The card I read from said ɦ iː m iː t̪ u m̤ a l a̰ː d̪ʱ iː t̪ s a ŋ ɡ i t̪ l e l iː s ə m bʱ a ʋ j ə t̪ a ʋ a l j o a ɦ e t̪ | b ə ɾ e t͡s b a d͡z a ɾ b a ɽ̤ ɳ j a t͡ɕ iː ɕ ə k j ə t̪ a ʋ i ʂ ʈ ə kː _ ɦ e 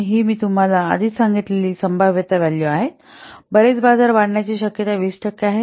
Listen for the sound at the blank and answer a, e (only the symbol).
a